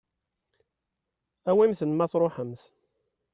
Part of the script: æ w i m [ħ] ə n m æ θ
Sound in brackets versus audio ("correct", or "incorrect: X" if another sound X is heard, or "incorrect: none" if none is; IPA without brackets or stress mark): incorrect: θ